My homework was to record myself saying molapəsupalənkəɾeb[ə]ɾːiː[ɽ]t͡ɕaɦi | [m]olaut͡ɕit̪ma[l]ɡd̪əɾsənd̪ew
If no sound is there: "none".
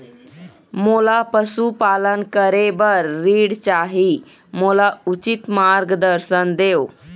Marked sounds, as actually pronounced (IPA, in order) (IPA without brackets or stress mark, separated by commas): ə, ɽ, m, ɾ